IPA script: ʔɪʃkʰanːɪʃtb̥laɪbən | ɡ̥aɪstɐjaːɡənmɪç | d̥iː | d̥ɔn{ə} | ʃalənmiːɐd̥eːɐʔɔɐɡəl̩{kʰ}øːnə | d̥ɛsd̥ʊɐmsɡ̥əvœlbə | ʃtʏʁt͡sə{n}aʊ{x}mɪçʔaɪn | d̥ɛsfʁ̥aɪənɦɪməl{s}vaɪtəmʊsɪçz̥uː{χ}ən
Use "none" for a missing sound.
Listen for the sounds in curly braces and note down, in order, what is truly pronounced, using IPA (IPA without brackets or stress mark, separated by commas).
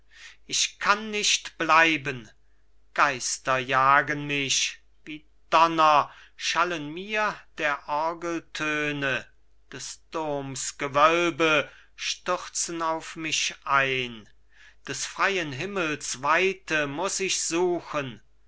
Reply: ɐ, tʰ, n, f, s, x